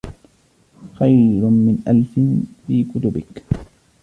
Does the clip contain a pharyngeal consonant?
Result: no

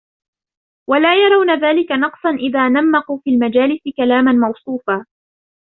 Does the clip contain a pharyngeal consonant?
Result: no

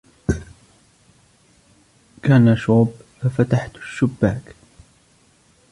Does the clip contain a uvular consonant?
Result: no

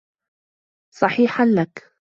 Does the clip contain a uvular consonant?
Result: no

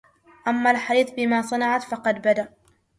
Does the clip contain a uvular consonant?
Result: yes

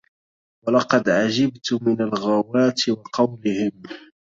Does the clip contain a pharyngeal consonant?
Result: yes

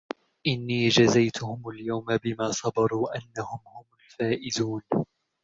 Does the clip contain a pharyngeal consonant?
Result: no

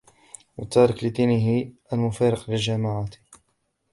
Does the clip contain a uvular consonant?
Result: yes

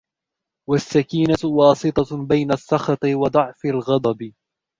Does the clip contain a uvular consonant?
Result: no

